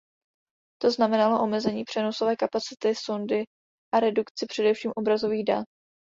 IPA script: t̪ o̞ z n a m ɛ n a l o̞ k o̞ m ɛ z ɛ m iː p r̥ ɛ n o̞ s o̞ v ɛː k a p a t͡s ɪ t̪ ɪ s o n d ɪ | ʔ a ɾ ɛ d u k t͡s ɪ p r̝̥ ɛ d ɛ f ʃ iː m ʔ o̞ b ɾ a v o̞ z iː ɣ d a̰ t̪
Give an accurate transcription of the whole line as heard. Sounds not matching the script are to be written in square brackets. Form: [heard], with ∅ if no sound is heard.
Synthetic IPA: t̪ o̞ z n a m ɛ n a l o̞ [ʔ] o̞ m ɛ z ɛ [ɲ] iː p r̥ ɛ n o̞ s o̞ v ɛː k a p a t͡s ɪ t̪ ɪ s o n d ɪ | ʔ a ɾ ɛ d u k t͡s ɪ p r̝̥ ɛ d ɛ f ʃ iː m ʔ o̞ b ɾ a [z] o̞ [v] iː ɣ d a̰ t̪